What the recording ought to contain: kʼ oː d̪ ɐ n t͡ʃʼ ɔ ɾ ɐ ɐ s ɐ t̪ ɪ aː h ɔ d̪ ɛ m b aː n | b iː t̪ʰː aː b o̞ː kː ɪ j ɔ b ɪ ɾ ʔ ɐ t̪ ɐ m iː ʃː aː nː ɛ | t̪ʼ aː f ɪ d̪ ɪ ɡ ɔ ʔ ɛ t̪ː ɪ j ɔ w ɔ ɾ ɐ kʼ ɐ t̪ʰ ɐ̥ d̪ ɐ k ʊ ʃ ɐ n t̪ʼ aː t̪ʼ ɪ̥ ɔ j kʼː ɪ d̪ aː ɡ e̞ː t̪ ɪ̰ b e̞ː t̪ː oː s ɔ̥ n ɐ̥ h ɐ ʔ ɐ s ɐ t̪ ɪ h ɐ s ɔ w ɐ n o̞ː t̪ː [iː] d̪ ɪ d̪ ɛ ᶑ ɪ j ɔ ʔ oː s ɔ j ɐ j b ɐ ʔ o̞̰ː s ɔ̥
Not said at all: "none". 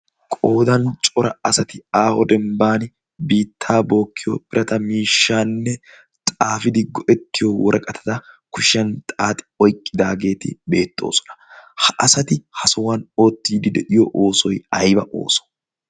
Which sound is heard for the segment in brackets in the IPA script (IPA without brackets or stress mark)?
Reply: iː